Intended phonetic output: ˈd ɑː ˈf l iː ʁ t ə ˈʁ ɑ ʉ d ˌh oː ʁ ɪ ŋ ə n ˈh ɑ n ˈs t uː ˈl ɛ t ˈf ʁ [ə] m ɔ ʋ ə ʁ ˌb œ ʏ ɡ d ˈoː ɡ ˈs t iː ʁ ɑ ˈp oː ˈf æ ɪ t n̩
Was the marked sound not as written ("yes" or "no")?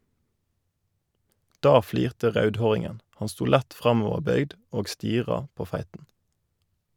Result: yes